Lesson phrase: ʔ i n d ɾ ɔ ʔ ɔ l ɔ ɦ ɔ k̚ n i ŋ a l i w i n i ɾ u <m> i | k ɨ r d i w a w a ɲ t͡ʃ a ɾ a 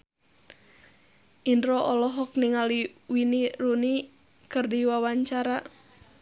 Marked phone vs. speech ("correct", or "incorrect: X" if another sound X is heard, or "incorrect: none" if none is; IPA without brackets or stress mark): incorrect: n